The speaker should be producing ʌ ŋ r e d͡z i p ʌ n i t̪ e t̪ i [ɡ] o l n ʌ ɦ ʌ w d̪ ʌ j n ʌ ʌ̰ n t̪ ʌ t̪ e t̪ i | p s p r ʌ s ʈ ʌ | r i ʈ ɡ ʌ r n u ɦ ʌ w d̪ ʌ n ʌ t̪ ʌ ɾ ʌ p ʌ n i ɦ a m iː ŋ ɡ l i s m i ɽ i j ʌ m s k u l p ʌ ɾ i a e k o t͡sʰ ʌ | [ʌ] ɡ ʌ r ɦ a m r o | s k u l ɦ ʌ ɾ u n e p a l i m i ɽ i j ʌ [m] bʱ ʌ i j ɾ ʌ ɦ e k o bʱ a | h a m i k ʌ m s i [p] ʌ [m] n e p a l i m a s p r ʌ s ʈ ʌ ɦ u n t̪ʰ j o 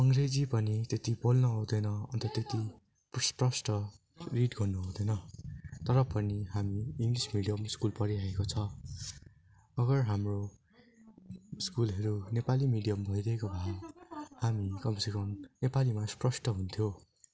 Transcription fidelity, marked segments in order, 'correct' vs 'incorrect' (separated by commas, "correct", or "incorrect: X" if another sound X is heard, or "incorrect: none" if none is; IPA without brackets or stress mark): incorrect: b, correct, correct, incorrect: k, correct